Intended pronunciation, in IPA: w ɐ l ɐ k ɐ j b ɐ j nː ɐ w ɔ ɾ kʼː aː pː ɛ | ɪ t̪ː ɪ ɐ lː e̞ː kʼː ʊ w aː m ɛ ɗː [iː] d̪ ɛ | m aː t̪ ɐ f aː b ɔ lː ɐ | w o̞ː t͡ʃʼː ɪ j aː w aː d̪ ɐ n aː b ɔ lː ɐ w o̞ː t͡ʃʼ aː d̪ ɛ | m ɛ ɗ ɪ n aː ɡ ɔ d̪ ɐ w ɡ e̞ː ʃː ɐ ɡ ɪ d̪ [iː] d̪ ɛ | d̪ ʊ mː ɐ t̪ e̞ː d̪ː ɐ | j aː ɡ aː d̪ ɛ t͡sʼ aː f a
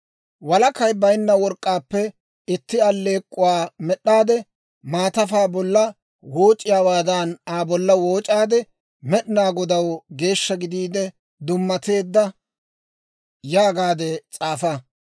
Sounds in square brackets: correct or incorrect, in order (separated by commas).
incorrect, correct